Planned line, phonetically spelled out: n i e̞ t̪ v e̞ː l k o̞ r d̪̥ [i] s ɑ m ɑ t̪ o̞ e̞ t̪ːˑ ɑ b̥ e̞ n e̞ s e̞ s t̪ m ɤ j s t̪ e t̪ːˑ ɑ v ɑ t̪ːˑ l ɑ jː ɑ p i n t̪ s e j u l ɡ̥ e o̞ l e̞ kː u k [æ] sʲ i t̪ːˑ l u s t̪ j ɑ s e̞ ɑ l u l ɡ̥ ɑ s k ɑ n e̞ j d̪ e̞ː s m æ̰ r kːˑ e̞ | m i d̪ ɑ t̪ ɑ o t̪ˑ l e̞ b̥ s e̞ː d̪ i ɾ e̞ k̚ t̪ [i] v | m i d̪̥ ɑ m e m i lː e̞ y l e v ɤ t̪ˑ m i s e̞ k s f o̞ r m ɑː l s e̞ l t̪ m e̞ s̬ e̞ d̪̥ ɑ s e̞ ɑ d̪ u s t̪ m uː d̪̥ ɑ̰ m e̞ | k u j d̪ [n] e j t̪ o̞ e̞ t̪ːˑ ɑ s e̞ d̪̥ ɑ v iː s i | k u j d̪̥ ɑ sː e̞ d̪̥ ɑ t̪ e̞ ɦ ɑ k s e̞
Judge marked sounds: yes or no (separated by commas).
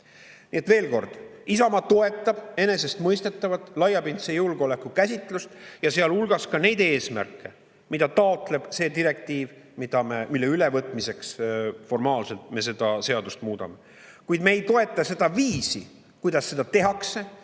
yes, yes, no, no